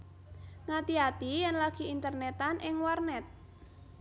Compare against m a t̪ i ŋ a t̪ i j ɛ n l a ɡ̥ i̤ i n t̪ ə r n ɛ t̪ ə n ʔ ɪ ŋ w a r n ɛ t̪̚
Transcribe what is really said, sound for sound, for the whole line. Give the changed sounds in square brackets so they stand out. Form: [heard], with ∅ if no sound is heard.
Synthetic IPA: [ŋ] a t̪ i [∅] a t̪ i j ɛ n l a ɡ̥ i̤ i n t̪ ə r n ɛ t̪ [a] n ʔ ɪ ŋ w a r n ɛ t̪̚

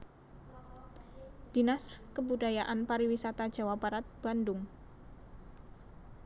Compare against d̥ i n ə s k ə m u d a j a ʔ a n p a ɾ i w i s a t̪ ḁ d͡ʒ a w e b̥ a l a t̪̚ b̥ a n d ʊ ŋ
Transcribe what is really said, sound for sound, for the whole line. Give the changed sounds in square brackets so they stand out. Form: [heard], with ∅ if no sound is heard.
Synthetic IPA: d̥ i n [a] s k ə [b] u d a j a ʔ a n p a ɾ i w i s a t̪ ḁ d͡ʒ a w [a] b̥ a [ɾ] a t̪̚ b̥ a n d ʊ ŋ

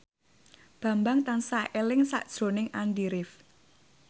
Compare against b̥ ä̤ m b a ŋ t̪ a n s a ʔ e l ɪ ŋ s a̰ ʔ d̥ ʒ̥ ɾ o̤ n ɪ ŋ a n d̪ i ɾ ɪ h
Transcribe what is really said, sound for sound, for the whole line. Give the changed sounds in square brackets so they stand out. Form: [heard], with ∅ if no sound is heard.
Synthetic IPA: b̥ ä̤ m b a ŋ t̪ a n s a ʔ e l ɪ ŋ s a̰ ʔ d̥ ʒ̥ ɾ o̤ n ɪ ŋ a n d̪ i ɾ ɪ [f]

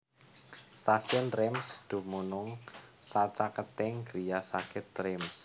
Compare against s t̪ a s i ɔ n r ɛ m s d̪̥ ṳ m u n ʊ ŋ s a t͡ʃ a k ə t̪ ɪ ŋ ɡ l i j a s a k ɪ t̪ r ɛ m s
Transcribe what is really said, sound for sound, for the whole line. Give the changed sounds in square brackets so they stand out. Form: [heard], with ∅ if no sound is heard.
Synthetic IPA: s t̪ a s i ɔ n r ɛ m s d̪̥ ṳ m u n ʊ ŋ s a t͡ʃ a k ə t̪ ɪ ŋ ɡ [ɾ] i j a s a k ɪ t̪ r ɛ m s

